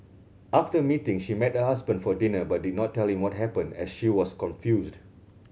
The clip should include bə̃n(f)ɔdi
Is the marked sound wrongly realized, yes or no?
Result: no